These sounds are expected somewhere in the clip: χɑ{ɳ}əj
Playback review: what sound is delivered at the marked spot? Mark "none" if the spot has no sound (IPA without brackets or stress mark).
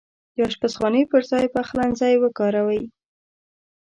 n